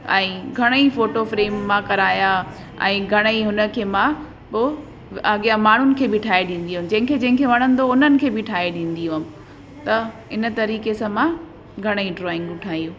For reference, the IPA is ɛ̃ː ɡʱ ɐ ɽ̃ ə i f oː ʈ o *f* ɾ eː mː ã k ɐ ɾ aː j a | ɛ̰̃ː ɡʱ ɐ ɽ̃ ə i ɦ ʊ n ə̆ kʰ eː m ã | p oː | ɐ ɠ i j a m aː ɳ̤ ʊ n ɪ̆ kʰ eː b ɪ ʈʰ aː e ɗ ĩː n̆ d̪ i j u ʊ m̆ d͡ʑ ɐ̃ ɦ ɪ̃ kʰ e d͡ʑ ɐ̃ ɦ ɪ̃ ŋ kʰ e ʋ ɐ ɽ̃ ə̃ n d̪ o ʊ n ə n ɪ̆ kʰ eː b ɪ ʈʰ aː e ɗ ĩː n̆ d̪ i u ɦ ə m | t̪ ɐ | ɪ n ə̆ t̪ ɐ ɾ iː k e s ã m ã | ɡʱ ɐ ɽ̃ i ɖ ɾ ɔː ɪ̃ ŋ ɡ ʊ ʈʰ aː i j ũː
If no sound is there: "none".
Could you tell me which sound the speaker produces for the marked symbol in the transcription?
f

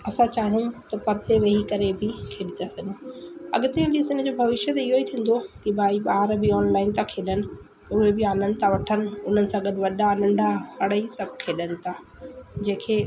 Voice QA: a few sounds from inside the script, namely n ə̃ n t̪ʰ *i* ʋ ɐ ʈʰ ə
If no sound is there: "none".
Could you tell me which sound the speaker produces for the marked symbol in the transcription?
a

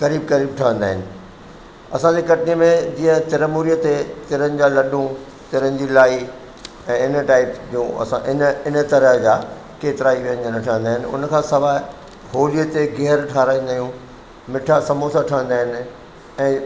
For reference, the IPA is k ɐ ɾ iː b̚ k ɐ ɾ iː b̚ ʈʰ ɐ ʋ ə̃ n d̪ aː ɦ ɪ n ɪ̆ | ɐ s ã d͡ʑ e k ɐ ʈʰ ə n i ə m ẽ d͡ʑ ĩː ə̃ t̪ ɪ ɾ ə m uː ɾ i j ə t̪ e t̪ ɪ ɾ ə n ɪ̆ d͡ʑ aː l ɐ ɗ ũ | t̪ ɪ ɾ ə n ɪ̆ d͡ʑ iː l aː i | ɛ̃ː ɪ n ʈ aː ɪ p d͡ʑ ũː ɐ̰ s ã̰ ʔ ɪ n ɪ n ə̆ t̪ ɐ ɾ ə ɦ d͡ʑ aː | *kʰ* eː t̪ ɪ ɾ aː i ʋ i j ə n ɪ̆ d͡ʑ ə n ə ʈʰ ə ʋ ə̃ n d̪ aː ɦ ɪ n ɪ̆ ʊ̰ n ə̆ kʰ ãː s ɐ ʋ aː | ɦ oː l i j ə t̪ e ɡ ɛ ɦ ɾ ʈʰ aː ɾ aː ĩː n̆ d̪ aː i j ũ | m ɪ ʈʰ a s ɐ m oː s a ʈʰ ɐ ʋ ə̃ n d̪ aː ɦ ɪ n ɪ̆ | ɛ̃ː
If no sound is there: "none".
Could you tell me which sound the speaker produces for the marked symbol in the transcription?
k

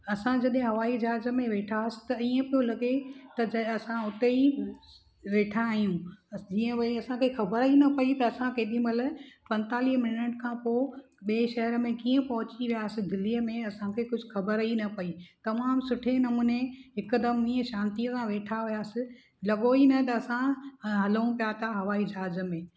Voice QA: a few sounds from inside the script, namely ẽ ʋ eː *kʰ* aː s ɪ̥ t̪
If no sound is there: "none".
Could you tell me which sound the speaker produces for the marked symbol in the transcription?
ʈʰ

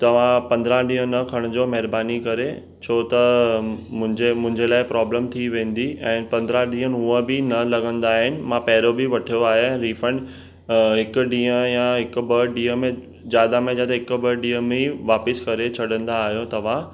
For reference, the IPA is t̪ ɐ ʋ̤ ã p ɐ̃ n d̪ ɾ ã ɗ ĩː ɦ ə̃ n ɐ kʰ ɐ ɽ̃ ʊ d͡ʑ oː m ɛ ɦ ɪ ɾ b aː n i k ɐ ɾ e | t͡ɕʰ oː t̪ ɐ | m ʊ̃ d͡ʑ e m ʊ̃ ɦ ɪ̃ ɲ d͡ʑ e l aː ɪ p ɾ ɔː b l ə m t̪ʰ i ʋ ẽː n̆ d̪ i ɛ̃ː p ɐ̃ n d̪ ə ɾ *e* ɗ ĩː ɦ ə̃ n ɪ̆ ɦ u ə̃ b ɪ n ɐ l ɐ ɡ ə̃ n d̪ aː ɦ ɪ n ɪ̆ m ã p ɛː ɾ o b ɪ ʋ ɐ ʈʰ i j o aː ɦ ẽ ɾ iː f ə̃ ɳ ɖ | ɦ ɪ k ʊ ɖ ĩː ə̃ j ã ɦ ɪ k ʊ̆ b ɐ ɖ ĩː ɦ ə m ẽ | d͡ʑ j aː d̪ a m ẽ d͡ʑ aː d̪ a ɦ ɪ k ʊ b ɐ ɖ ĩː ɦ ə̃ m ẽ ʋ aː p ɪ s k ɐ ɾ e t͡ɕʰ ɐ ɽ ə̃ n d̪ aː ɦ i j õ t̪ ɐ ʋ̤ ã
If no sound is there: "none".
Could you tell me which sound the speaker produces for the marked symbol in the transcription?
a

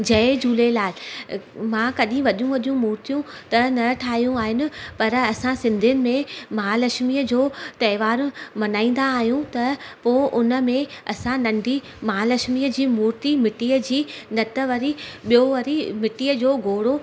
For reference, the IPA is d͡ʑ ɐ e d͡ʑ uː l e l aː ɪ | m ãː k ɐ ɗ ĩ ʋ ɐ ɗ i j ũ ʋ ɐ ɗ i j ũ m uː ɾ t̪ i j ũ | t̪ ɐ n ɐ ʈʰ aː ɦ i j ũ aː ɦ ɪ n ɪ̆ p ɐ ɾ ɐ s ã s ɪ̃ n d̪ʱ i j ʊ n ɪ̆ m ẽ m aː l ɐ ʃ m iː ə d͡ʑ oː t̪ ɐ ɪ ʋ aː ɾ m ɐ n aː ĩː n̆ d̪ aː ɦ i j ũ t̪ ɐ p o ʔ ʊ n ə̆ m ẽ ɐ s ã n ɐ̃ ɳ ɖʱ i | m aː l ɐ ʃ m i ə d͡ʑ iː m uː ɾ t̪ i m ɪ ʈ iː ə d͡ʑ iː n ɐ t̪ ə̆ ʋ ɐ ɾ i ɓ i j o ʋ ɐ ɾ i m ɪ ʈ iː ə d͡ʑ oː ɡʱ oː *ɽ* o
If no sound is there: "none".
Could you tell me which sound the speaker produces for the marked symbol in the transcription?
ɽ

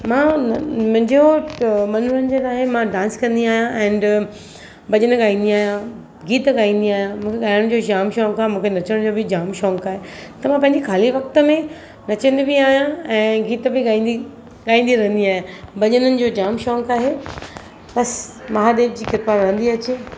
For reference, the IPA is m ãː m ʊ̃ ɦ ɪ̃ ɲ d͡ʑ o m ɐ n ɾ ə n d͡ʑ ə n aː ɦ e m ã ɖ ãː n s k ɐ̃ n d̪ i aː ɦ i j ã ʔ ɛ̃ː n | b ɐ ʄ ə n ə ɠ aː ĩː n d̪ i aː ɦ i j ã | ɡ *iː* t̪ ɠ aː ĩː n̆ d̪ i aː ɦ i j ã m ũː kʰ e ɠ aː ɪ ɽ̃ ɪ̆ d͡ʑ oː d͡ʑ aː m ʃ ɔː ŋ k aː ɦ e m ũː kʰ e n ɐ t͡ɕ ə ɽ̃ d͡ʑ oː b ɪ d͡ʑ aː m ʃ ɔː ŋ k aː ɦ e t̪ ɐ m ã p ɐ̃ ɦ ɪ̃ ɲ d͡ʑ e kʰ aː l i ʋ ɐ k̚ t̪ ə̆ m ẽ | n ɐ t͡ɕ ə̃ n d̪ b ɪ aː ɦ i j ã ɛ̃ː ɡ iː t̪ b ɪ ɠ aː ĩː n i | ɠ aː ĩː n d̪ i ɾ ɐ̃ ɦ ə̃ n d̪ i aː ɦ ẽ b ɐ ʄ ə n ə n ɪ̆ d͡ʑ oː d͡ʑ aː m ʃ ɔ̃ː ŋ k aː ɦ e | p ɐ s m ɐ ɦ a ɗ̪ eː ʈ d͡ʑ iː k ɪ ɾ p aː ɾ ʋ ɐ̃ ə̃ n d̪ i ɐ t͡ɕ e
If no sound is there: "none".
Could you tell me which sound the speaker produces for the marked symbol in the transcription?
iː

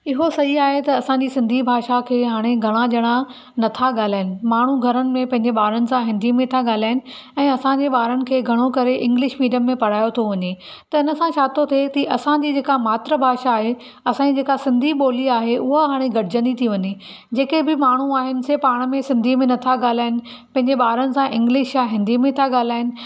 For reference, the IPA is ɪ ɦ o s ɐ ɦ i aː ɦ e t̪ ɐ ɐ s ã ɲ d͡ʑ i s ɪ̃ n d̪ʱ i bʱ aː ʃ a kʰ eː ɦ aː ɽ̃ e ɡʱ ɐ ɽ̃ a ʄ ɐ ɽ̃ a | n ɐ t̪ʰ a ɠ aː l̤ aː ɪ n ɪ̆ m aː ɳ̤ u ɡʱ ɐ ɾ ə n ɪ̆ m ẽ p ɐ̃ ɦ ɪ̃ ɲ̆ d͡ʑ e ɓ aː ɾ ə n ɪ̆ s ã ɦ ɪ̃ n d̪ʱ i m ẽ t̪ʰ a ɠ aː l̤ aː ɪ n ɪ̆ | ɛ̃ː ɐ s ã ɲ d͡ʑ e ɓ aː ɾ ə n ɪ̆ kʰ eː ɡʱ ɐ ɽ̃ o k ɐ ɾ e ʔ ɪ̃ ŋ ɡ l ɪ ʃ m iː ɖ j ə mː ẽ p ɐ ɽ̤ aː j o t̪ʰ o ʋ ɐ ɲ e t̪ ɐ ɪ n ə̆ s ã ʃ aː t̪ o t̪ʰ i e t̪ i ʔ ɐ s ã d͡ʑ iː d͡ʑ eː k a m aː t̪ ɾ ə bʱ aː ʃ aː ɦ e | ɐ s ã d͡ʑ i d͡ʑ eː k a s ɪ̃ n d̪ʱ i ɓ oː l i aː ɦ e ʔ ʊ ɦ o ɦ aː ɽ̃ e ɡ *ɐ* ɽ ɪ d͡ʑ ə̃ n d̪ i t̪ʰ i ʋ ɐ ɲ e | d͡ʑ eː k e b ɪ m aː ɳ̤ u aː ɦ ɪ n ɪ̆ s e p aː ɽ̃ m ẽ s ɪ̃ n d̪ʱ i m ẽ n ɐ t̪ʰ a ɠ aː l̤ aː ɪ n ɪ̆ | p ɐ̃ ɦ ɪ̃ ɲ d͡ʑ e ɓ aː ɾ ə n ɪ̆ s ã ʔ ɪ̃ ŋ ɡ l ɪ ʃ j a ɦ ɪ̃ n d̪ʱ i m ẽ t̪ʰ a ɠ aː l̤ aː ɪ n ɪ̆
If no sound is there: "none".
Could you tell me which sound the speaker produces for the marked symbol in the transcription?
ɐ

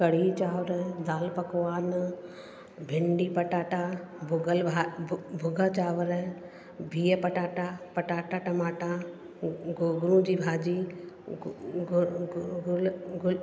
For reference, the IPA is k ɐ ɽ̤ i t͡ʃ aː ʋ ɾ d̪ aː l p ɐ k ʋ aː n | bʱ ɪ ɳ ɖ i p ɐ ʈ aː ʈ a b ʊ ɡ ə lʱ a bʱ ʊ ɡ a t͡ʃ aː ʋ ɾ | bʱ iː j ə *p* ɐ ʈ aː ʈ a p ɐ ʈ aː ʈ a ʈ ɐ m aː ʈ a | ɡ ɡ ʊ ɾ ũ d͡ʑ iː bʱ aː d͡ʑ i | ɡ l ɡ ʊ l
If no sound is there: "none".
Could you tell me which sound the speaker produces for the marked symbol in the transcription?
p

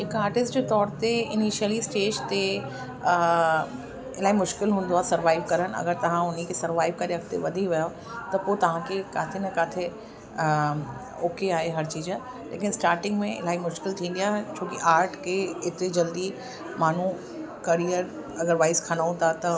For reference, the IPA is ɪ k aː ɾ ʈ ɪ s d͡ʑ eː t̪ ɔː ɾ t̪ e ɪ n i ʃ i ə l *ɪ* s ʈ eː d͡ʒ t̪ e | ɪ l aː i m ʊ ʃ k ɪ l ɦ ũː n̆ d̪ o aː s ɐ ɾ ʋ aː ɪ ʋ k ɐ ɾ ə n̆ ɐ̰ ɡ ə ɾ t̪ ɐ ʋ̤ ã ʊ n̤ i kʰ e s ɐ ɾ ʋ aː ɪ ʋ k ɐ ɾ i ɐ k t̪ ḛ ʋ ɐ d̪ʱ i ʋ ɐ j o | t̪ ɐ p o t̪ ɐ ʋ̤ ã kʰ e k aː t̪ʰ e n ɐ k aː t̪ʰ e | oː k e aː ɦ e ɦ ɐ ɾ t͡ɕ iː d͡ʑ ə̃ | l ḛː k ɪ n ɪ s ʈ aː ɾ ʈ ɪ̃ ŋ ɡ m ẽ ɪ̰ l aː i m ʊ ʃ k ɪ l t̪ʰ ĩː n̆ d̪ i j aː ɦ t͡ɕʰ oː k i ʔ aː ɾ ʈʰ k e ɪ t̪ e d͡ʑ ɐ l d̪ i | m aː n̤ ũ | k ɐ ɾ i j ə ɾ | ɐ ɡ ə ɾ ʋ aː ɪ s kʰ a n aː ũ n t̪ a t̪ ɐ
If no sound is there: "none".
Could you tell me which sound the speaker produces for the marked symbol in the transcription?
i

